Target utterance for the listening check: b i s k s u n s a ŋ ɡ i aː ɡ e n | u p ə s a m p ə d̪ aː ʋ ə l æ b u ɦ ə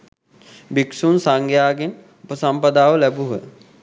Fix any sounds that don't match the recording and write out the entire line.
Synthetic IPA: b i k s u n s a ŋ ɡ j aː ɡ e n | u p ə s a m p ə d̪ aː ʋ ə l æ b u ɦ ə